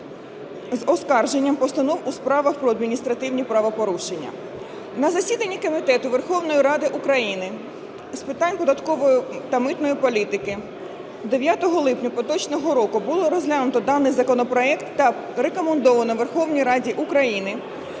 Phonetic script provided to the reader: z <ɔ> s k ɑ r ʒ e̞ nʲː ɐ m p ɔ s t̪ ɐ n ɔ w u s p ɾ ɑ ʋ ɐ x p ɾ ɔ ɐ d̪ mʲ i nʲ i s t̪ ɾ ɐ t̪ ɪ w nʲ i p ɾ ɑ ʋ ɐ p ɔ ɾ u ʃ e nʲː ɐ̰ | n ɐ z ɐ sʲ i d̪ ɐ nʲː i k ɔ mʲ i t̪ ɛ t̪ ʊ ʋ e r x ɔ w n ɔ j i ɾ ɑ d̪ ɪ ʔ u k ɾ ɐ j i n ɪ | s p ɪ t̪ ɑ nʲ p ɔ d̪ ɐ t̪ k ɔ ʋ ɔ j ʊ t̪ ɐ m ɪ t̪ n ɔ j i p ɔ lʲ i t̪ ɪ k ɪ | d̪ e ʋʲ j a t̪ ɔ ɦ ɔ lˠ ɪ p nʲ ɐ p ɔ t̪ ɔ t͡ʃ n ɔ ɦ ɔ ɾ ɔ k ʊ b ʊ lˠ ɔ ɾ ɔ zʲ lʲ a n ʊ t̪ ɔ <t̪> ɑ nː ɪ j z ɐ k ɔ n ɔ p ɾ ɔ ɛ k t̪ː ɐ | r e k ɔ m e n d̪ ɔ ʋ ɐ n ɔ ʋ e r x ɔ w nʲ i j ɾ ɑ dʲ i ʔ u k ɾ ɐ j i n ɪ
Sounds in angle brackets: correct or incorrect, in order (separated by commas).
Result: correct, incorrect